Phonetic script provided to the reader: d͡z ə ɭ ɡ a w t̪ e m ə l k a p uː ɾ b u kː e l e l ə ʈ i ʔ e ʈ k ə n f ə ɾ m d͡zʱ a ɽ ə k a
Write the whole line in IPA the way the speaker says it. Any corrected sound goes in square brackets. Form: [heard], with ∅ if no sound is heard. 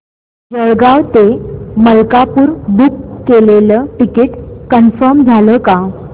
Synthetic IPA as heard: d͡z ə ɭ ɡ a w t̪ e m ə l k a p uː ɾ b u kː e l e l ə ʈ i [k] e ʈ k ə n f ə ɾ m d͡zʱ a [l] ə k a